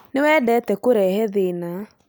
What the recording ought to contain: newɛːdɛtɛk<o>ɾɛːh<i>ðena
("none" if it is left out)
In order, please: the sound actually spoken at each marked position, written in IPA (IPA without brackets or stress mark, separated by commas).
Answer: o, ɛ